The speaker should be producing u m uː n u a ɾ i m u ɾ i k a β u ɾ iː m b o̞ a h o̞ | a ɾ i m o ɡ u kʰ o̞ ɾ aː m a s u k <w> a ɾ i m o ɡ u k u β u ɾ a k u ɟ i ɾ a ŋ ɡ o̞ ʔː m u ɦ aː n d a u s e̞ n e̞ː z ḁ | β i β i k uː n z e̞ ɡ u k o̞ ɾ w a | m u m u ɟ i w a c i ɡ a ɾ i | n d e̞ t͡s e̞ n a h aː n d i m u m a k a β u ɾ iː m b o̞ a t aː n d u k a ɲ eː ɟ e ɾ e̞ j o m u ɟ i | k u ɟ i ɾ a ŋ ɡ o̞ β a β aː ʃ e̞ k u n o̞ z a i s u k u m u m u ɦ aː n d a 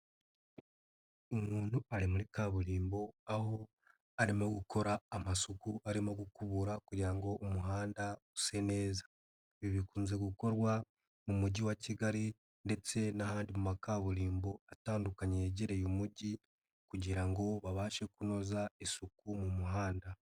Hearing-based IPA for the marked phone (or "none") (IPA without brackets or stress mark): u